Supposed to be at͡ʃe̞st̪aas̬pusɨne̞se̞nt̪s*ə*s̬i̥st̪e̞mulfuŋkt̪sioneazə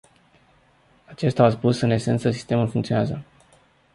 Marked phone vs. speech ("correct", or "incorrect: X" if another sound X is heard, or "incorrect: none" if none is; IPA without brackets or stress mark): correct